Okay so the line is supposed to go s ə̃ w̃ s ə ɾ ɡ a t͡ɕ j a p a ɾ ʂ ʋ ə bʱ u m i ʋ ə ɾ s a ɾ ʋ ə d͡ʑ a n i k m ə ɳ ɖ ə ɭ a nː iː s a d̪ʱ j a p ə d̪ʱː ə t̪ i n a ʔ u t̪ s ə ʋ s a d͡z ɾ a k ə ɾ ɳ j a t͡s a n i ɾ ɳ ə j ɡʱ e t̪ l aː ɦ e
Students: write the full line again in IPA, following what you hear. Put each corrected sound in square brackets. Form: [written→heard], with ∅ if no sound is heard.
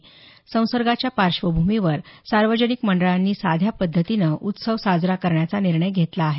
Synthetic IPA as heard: s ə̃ w̃ s ə ɾ ɡ a t͡ɕ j a p a ɾ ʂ ʋ ə bʱ u m i ʋ ə ɾ s a ɾ ʋ ə d͡ʑ [a→ə] n i k m ə ɳ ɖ ə ɭ a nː iː s a d̪ʱ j a p ə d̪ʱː ə t̪ i n [a→ə] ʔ u t̪ s ə ʋ s a d͡z ɾ a k ə ɾ ɳ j a t͡s a n i ɾ ɳ ə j ɡʱ e t̪ l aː ɦ e